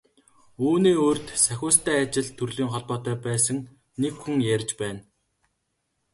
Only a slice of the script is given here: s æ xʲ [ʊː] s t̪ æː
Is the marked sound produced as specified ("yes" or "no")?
yes